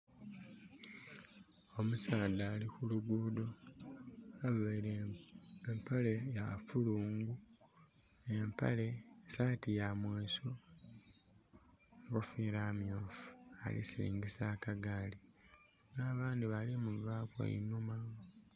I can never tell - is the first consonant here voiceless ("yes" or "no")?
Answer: no